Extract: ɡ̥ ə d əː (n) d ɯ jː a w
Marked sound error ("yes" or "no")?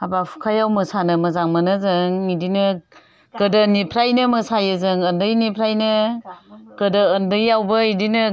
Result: no